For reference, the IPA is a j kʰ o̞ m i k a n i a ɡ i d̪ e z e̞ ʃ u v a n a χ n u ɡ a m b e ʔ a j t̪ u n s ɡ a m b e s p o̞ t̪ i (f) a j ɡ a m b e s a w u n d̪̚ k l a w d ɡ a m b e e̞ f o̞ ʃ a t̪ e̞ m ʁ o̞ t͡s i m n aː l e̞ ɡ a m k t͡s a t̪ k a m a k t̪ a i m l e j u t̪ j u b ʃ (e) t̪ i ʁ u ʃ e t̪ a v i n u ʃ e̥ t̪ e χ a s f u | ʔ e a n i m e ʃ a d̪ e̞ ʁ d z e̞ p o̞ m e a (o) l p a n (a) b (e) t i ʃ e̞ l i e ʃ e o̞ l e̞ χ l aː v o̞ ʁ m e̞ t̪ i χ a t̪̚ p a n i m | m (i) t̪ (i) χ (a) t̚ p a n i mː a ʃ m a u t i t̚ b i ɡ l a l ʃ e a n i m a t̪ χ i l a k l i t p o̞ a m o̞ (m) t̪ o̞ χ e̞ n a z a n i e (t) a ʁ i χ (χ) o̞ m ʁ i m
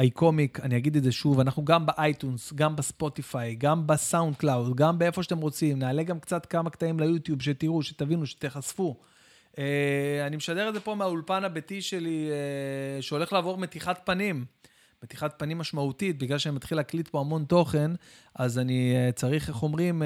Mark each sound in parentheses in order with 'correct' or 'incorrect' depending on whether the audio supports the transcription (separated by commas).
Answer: correct, correct, incorrect, correct, correct, incorrect, correct, correct, incorrect, incorrect, correct